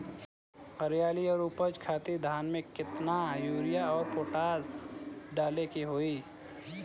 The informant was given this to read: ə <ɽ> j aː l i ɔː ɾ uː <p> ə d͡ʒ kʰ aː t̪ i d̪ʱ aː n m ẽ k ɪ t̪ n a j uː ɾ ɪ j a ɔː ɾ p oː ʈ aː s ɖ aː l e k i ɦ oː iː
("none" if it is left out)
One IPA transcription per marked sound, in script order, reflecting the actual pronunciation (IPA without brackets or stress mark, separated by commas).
ɾ, p